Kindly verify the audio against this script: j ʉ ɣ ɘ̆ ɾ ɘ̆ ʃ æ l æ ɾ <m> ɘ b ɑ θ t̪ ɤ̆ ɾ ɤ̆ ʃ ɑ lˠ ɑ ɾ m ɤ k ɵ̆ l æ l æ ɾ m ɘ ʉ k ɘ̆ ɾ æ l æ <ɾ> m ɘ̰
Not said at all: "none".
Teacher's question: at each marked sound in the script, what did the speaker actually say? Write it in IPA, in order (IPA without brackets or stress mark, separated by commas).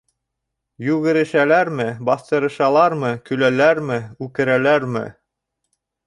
m, ɾ